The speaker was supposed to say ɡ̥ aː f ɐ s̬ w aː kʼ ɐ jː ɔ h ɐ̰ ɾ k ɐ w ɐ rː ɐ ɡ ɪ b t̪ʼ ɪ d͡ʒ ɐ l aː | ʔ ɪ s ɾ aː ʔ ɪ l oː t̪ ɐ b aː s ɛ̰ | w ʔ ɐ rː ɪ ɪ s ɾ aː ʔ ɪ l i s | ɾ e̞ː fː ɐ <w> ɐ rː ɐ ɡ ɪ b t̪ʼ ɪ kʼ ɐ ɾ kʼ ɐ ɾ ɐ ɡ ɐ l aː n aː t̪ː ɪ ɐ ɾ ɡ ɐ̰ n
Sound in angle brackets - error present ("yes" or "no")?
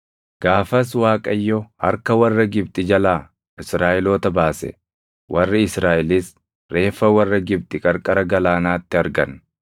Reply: no